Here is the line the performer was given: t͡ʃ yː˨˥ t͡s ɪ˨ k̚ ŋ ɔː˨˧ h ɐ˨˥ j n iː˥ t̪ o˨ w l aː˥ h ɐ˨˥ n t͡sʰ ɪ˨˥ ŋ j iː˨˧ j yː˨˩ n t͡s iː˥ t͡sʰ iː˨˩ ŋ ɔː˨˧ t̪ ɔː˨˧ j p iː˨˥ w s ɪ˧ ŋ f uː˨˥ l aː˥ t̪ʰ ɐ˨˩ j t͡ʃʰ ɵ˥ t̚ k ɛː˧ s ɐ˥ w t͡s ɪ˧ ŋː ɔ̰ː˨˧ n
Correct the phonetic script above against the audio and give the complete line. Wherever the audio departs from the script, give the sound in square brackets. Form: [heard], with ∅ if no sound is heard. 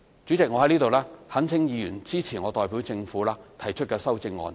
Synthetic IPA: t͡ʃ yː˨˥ t͡s ɪ˨ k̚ ŋ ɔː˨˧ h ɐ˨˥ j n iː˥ t̪ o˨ w l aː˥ h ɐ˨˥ n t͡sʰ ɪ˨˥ ŋ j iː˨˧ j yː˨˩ n t͡s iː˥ t͡sʰ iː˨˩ ŋ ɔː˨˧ t̪ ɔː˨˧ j p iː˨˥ w [t͡s] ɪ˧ ŋ f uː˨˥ l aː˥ t̪ʰ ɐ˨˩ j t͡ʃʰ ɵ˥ t̚ k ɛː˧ s ɐ˥ w t͡s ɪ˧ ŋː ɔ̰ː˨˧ n